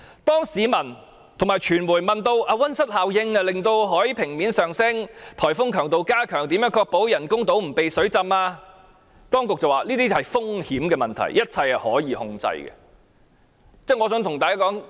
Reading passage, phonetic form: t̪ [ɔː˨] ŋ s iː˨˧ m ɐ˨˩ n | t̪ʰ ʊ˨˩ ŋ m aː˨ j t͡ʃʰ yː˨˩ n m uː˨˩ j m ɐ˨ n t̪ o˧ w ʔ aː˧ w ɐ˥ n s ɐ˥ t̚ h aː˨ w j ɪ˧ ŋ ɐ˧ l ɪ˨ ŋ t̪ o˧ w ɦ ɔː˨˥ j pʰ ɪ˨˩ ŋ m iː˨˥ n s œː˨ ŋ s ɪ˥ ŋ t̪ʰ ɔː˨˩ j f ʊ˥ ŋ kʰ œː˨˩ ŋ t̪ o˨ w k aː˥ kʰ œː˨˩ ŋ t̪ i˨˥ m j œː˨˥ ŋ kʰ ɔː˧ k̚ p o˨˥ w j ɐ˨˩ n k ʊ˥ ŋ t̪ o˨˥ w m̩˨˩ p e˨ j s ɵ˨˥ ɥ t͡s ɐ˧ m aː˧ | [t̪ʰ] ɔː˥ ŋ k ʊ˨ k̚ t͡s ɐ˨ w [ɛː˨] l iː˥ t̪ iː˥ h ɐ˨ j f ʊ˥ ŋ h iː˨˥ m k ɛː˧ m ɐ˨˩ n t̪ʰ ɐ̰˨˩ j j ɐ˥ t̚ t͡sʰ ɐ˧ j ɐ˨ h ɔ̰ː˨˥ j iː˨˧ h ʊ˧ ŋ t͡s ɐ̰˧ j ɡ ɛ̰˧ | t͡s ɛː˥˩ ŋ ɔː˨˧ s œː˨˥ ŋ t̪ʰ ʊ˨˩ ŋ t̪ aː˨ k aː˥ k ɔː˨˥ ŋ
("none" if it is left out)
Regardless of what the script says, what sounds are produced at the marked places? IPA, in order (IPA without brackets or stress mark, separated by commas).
ɔː˥, t̪, aː˨